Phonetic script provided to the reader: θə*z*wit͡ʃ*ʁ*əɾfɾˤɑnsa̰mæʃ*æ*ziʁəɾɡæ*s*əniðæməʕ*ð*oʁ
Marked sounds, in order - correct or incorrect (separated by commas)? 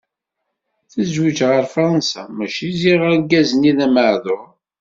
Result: correct, correct, incorrect, incorrect, correct